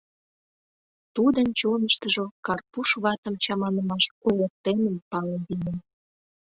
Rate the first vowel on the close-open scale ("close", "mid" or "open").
close